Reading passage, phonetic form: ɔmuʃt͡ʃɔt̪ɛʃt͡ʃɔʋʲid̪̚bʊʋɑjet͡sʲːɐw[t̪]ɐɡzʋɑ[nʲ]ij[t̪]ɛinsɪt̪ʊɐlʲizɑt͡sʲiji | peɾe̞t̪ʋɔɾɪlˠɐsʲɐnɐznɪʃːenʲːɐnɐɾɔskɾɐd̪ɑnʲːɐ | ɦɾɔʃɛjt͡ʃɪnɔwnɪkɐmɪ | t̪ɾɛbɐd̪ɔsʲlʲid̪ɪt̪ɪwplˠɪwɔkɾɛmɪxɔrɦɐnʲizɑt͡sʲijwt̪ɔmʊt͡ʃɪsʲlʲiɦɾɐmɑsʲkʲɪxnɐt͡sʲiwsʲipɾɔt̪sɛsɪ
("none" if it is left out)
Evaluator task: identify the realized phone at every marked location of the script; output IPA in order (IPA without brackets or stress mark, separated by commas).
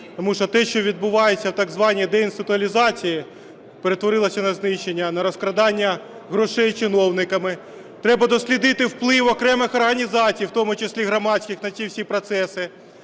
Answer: t̪, nʲ, d̪